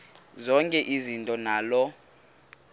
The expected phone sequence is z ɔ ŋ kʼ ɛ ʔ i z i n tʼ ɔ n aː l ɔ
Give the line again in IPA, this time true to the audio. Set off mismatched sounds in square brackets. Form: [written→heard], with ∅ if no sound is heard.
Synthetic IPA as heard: z ɔ ŋ kʼ ɛ ʔ i z i n tʼ ɔ n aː l ɔ